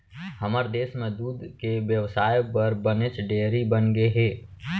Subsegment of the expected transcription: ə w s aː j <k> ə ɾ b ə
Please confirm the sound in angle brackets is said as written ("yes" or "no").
no